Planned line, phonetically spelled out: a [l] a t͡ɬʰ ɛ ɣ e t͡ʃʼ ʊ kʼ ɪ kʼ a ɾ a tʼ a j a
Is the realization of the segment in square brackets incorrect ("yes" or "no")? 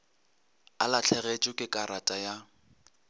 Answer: no